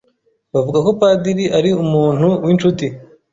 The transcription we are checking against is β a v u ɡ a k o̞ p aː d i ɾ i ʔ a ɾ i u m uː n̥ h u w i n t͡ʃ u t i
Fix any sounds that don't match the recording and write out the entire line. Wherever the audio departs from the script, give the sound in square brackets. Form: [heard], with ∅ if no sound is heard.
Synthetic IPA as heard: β a v u ɡ a k o̞ p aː d i ɾ i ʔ a ɾ i u m uː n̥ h u w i n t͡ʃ u t i